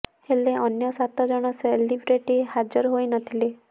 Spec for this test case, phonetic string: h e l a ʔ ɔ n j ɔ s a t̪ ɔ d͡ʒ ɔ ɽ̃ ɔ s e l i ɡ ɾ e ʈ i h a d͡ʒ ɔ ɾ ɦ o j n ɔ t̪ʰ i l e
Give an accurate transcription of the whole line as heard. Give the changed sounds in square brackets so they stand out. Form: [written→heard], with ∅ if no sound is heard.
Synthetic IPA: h e l [a→e] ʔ ɔ n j ɔ s a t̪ ɔ d͡ʒ ɔ ɽ̃ ɔ s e l i [ɡ→b] ɾ e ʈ i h a d͡ʒ ɔ ɾ ɦ o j n ɔ t̪ʰ i l e